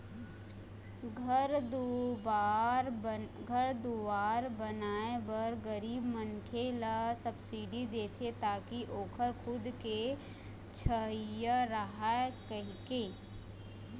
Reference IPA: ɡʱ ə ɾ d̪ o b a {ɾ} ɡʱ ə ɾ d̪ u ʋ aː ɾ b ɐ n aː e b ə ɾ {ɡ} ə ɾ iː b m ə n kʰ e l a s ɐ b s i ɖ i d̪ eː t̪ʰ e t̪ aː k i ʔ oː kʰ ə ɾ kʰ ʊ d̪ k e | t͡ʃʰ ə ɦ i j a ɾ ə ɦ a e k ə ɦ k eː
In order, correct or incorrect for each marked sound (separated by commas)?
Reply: correct, correct